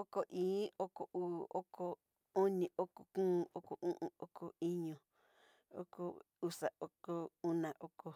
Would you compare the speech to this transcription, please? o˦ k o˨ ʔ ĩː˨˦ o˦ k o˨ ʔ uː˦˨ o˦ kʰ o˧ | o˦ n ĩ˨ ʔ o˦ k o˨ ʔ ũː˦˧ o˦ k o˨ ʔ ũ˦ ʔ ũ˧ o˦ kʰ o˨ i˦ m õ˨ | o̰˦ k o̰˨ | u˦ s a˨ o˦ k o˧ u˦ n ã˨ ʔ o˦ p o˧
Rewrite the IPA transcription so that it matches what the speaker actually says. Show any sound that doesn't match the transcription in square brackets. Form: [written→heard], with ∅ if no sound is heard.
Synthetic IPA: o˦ k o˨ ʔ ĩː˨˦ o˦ k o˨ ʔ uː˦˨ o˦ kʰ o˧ | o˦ n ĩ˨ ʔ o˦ k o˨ [ʔ→k] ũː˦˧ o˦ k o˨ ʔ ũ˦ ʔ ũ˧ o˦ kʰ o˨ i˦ [m→ɲ] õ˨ | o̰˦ k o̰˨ | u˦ s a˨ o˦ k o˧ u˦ n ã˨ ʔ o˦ [p→k] o˧